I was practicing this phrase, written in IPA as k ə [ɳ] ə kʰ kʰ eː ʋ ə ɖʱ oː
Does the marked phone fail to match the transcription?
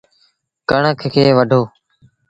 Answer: no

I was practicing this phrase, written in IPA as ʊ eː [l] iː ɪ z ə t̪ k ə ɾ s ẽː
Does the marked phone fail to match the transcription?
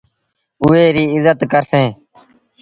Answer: yes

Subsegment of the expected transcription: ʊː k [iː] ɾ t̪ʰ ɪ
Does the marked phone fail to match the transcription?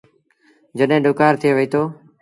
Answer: yes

